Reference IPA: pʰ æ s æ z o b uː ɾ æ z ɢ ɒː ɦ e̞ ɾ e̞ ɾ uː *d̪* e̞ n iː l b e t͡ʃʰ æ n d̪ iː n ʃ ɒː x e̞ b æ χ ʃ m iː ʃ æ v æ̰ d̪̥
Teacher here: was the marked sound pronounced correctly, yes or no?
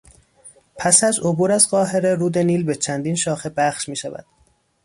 yes